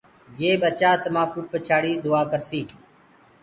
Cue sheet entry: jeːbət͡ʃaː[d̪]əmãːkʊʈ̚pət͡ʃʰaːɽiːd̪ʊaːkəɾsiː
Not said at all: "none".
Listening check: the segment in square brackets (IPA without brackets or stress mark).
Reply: t̪